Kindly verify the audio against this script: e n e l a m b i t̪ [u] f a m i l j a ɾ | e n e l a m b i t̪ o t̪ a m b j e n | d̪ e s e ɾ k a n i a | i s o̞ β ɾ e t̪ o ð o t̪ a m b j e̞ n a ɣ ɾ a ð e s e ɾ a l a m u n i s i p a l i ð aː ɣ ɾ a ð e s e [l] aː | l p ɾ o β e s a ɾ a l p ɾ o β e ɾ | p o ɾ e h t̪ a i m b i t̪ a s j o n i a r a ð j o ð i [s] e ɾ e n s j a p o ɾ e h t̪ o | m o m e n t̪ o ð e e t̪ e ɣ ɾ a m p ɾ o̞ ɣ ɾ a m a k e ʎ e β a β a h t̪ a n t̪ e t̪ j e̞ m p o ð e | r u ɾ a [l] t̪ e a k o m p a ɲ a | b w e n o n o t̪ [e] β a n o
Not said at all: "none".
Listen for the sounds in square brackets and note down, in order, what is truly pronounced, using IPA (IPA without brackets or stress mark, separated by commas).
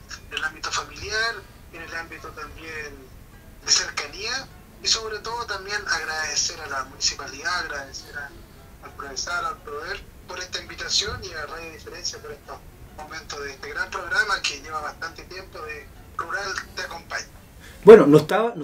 o, ɾ, f, l, a